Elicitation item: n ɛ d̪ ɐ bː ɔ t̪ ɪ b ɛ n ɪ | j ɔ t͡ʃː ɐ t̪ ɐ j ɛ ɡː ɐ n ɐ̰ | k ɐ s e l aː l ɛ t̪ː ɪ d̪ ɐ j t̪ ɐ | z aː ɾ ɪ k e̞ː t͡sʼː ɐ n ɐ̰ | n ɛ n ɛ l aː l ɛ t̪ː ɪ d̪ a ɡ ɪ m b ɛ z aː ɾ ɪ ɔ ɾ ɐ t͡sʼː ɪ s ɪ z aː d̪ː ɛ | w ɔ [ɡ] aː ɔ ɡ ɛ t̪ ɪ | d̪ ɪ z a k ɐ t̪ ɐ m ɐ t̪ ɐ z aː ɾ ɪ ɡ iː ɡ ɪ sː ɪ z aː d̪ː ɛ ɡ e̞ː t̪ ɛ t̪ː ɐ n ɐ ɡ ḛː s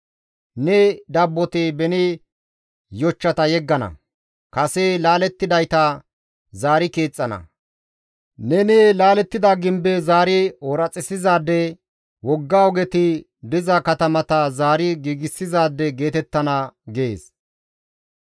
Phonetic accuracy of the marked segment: incorrect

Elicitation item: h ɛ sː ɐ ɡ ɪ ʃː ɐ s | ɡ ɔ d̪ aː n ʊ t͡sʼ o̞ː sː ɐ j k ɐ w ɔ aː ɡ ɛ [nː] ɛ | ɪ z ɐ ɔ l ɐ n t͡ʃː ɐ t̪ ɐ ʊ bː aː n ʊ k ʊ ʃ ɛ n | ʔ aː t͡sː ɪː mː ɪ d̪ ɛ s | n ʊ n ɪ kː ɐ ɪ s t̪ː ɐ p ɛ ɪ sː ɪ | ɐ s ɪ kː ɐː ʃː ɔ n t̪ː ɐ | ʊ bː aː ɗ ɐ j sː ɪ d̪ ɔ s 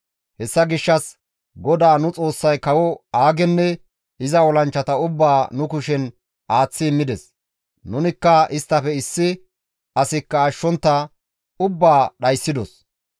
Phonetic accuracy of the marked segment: correct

